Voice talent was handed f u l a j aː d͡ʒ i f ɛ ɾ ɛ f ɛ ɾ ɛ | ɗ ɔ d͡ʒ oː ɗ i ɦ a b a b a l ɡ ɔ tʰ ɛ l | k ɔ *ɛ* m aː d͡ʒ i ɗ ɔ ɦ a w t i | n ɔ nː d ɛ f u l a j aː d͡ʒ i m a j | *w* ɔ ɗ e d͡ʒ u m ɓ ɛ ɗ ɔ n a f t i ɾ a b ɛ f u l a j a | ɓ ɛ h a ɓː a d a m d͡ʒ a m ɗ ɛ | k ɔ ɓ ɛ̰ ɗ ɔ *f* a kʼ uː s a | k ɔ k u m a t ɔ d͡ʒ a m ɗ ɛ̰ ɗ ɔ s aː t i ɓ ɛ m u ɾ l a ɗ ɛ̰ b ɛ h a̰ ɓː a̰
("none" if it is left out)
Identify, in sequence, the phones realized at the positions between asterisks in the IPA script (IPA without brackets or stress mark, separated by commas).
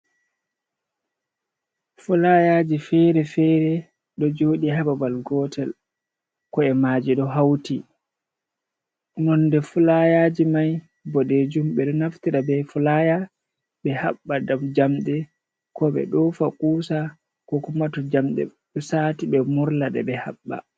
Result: ɛ, b, f